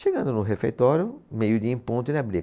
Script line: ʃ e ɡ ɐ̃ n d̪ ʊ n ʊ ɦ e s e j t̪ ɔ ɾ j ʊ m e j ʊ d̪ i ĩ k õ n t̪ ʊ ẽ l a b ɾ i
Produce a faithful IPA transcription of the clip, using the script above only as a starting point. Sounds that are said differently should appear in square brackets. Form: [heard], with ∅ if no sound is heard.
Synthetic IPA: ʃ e ɡ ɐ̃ n d̪ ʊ n ʊ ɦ e [f] e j t̪ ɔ ɾ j ʊ m e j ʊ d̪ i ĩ [p] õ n t̪ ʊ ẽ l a b ɾ i